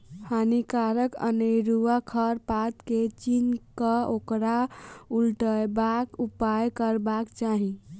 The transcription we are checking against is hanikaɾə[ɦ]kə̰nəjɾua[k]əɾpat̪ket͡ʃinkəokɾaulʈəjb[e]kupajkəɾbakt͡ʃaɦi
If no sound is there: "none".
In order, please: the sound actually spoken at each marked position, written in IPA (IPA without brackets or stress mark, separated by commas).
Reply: none, kʰ, a